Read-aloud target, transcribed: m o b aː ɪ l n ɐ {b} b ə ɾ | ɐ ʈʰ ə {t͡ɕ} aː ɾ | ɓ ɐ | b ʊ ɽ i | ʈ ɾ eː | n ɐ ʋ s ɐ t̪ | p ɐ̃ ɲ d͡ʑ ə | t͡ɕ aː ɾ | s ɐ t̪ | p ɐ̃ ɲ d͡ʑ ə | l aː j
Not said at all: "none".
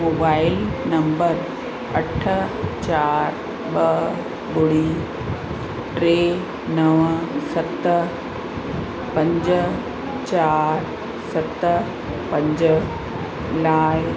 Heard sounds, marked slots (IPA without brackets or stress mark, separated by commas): m, t͡ɕ